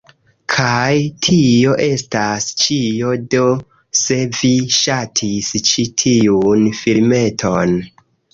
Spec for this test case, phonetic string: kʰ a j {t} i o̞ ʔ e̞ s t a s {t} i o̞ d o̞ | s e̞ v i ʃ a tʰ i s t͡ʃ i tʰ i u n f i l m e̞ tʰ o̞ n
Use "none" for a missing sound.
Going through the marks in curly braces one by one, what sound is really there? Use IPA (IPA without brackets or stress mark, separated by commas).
tʰ, t͡ʃ